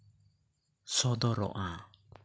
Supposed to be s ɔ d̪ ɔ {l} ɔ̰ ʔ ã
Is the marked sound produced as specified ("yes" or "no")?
no